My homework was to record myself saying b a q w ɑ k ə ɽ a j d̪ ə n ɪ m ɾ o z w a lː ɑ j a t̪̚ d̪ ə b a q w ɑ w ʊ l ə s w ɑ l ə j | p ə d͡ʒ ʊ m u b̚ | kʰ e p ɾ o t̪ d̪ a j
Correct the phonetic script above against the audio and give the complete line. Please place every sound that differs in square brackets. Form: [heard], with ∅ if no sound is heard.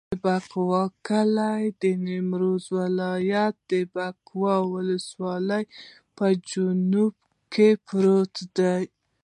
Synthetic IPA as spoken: b a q w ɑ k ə [l] a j d̪ ə n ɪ m ɾ o z w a [l] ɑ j a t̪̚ d̪ ə b a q w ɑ w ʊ l ə s w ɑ l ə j | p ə d͡ʒ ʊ [n] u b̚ | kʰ e p ɾ o t̪ d̪ a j